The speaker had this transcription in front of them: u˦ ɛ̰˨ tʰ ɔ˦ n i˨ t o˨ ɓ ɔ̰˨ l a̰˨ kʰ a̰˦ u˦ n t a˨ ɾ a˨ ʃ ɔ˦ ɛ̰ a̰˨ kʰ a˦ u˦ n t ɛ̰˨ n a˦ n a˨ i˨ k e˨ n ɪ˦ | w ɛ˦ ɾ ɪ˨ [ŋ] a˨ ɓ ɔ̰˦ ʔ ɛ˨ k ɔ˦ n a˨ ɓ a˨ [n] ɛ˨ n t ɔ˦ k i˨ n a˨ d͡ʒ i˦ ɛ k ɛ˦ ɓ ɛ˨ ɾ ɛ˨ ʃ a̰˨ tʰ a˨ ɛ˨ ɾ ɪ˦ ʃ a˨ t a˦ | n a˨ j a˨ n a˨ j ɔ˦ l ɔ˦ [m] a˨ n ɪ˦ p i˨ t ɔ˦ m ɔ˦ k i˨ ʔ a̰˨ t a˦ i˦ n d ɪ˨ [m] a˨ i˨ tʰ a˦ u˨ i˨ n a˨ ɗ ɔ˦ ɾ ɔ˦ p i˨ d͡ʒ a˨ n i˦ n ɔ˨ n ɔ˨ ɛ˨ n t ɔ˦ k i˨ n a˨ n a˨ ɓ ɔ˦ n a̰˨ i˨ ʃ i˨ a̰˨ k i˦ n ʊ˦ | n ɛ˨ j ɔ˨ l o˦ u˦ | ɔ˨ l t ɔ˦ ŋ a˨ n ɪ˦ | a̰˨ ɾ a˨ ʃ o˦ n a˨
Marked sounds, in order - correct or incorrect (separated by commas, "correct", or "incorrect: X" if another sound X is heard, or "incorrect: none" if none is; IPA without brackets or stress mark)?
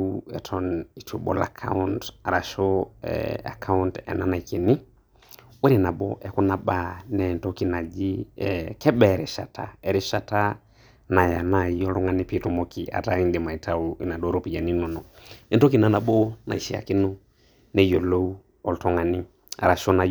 incorrect: n, correct, incorrect: ŋ, correct